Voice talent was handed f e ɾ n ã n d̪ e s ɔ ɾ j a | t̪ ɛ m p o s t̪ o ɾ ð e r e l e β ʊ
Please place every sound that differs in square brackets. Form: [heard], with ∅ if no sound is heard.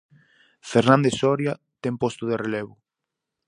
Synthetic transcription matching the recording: f e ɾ n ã n d̪ e s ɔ ɾ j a | t̪ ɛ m p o s t̪ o [∅] ð e r e l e β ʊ